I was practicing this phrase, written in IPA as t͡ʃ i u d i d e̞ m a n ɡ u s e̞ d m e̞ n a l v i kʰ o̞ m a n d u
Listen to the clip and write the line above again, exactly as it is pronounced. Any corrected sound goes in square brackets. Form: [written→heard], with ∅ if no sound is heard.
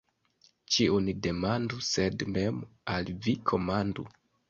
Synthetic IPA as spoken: t͡ʃ i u [d→n] i d e̞ m a n [ɡ→d] u s e̞ d m e̞ [n→m] a l v i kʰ o̞ m a n d u